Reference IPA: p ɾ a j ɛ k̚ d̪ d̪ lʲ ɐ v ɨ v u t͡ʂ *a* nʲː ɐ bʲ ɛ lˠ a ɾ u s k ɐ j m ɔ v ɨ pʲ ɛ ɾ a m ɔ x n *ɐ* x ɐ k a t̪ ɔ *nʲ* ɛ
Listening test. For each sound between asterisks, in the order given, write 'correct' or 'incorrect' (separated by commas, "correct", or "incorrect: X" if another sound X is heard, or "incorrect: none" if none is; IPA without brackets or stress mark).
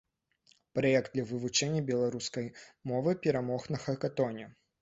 incorrect: ɛ, correct, correct